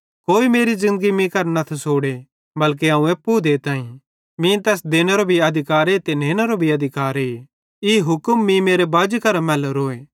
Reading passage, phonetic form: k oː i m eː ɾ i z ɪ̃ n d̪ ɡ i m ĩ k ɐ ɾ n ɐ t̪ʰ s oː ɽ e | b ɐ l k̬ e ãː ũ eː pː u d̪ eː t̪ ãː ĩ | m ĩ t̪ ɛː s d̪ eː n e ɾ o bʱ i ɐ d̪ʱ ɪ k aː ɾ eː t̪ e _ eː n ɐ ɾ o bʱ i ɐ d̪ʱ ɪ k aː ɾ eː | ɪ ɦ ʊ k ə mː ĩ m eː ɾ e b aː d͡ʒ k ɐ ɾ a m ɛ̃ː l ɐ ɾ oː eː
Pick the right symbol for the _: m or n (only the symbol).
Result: n